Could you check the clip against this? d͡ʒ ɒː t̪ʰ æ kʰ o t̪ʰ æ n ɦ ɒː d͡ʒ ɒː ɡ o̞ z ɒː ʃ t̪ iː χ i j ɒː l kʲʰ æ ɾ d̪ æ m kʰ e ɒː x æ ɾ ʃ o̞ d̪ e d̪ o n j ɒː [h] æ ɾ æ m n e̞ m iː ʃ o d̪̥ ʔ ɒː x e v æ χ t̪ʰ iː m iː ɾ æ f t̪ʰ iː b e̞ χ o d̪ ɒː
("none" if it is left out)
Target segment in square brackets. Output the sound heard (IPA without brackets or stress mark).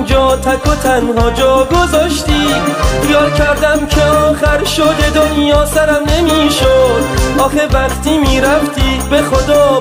s